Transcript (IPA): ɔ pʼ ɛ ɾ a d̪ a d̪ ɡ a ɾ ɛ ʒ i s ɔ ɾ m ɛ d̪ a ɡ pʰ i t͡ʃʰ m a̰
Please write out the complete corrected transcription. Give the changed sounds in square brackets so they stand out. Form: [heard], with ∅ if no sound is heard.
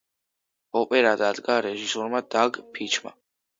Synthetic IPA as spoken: ɔ pʼ ɛ ɾ a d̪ a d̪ ɡ a ɾ ɛ ʒ i s ɔ ɾ m [a] d̪ a ɡ pʰ i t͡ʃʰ m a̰